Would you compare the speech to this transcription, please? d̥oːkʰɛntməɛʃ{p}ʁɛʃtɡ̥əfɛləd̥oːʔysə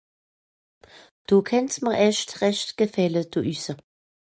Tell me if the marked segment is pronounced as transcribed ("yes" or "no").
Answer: no